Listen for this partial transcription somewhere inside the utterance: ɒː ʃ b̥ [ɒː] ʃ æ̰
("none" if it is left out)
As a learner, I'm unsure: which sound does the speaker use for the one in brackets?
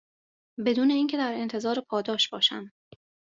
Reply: ɒː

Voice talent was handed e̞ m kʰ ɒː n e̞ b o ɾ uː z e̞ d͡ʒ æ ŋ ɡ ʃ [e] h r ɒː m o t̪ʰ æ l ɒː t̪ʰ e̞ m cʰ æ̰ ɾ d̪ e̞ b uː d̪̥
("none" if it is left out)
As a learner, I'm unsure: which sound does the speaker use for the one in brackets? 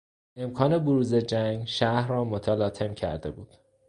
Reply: æ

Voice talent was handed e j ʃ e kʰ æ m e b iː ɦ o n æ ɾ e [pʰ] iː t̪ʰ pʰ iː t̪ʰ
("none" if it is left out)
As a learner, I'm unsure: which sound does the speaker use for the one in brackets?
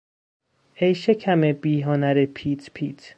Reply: pʰ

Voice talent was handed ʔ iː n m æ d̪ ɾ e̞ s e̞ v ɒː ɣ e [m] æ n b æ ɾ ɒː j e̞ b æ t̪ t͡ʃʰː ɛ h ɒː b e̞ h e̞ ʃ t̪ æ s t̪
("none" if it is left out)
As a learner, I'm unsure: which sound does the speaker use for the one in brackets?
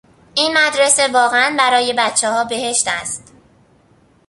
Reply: none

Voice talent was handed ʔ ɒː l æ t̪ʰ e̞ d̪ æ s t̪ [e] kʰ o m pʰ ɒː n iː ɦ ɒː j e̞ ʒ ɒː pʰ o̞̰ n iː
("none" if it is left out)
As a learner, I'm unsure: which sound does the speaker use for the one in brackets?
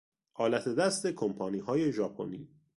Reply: e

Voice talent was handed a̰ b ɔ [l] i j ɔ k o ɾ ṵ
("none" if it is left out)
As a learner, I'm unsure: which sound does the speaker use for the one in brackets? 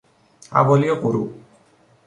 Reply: l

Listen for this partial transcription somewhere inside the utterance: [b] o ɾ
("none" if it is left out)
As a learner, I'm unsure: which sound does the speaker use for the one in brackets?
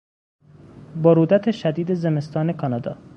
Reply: b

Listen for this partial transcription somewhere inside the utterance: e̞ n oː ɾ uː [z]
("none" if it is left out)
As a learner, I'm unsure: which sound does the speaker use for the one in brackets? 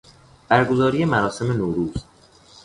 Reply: z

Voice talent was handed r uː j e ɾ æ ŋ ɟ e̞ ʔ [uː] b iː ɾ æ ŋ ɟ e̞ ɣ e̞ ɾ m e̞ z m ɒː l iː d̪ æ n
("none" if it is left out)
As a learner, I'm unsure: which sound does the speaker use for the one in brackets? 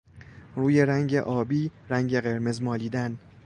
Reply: ɒː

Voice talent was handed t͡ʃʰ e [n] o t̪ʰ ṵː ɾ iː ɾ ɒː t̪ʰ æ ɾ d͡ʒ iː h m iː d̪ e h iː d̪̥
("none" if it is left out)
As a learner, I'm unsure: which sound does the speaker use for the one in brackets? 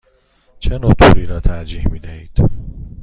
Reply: n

